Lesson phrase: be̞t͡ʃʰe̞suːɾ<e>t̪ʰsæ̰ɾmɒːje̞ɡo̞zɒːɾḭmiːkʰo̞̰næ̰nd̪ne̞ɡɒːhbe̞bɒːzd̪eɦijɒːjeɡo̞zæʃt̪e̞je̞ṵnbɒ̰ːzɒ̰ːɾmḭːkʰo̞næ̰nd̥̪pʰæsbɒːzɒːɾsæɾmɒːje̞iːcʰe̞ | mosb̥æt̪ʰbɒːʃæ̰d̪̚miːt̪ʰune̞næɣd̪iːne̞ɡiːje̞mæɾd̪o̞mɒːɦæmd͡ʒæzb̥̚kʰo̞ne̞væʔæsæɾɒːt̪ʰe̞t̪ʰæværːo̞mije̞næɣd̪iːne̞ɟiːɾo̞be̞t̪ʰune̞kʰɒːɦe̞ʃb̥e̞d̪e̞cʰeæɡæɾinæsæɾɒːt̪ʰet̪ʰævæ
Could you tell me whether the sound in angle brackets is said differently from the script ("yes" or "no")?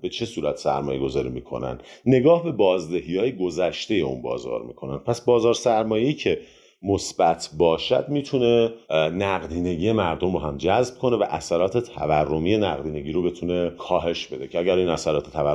yes